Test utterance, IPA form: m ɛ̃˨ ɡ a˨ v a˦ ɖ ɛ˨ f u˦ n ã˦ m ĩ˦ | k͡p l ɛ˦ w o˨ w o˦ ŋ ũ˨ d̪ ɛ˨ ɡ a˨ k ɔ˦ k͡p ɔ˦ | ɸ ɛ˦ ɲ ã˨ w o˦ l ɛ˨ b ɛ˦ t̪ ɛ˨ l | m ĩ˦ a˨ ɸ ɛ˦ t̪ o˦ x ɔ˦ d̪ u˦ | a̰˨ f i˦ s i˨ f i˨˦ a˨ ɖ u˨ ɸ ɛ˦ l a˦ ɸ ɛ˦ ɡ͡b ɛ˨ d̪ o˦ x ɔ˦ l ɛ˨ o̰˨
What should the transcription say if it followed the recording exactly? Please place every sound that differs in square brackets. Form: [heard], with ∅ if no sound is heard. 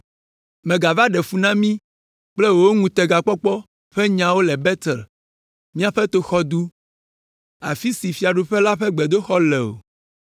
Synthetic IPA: m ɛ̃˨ ɡ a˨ v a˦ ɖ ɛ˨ f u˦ n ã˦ m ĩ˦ | k͡p l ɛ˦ w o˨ w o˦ ŋ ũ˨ [t̪] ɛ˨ ɡ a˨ [k͡p] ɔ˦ k͡p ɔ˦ | ɸ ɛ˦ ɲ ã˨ w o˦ l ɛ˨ b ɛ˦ t̪ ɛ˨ l | m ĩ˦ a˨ ɸ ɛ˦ t̪ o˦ x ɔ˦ d̪ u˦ | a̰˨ f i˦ s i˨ f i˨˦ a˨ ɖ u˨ ɸ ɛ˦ l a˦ ɸ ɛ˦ ɡ͡b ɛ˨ d̪ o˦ x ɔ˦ l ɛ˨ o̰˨